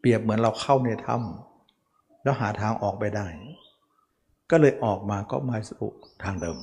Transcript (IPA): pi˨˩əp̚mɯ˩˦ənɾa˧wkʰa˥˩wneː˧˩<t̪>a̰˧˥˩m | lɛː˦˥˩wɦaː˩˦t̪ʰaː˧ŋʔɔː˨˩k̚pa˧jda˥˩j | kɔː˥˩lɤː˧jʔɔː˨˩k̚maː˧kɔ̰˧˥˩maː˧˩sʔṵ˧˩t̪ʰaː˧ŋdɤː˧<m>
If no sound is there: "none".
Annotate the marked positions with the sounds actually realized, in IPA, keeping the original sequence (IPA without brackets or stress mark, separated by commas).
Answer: t̪ʰ, m